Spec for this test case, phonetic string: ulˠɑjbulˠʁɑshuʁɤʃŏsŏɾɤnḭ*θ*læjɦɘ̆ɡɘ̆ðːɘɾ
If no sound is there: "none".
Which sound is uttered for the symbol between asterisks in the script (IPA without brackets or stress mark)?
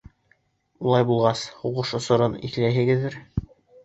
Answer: θ